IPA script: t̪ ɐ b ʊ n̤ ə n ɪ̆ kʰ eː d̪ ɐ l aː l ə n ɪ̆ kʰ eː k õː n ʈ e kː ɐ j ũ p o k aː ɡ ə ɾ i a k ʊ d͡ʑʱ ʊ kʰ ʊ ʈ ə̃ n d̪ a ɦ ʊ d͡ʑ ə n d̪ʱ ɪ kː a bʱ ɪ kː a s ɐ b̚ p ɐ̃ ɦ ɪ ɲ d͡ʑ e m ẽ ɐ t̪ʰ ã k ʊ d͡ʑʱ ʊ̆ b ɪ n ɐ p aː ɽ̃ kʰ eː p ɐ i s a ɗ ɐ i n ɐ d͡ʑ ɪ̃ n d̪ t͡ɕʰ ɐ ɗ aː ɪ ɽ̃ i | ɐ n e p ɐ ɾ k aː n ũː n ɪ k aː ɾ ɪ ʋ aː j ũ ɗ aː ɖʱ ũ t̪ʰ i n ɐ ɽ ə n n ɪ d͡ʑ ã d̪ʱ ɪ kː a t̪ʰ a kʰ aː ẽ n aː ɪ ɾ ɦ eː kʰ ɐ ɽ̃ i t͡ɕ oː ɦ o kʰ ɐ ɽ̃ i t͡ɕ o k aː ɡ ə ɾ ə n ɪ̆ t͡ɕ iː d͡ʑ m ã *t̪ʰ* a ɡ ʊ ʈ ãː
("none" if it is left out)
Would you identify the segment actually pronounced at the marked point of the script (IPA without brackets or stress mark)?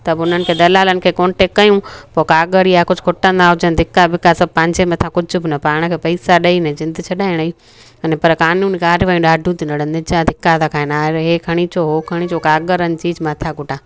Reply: t̪ʰ